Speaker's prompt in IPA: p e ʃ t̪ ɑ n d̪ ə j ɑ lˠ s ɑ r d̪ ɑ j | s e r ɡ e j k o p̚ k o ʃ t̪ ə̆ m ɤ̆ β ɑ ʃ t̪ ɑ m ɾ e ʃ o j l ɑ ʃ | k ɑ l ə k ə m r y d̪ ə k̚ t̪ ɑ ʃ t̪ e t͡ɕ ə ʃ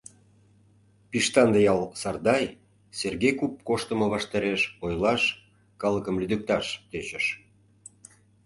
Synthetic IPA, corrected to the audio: p i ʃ t̪ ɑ n d̪ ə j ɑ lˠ s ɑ r d̪ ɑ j | s e r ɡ e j k u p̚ k o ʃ t̪ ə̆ m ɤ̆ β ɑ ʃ t̪ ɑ ɾ e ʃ o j l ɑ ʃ | k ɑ l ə k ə m l y d̪ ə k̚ t̪ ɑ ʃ t̪ e t͡ɕ ə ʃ